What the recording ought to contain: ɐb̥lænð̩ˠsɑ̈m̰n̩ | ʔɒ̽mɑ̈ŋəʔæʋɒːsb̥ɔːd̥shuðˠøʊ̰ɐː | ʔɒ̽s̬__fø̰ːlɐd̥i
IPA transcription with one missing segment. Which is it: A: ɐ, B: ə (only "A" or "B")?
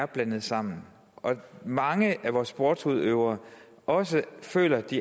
B